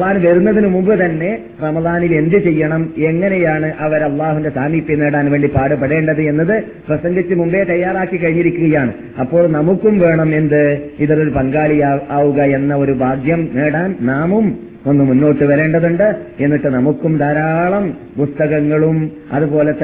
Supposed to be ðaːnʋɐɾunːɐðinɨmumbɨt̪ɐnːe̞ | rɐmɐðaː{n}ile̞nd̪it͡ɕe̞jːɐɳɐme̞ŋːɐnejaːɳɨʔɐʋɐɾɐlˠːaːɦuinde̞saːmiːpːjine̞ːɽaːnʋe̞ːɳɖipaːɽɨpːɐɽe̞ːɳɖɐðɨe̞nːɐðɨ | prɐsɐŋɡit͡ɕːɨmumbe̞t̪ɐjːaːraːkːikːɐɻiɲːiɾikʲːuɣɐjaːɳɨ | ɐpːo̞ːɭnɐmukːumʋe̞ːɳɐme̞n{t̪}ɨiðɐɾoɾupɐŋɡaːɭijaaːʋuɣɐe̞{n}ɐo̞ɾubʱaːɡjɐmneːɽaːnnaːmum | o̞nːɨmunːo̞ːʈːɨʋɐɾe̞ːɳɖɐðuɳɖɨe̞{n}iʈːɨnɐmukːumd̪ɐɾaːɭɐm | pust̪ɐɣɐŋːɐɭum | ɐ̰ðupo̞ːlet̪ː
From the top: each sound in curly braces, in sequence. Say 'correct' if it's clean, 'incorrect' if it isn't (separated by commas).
correct, incorrect, incorrect, incorrect